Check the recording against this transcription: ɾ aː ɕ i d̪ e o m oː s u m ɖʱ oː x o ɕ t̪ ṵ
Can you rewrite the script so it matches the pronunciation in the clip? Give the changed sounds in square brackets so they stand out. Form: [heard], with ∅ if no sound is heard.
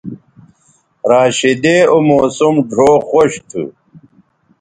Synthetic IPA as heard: ɾ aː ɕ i d̪ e o m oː s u m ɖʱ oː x o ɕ [t̪ʰ] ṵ

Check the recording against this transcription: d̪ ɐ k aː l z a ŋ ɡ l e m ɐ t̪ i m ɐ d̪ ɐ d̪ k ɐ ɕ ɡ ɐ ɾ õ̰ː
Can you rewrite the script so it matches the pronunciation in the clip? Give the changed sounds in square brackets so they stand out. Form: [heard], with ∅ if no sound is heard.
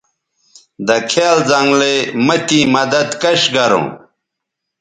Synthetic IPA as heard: d̪ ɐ [kʰ] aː l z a ŋ ɡ l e m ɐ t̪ i m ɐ d̪ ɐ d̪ k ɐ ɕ ɡ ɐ ɾ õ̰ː

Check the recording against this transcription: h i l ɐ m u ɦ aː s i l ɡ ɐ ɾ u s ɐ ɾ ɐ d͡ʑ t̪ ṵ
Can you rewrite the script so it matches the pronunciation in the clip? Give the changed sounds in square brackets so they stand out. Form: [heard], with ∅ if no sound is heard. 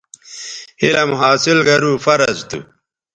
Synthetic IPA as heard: h i l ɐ m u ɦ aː s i l ɡ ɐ ɾ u [f] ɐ ɾ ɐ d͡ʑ t̪ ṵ

